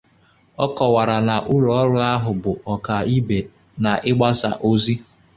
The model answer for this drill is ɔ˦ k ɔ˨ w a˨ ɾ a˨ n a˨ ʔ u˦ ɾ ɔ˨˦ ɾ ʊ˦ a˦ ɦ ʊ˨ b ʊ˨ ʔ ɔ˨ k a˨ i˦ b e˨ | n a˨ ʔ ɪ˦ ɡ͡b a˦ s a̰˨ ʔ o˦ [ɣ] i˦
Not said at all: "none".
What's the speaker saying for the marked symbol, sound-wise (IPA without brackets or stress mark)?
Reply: z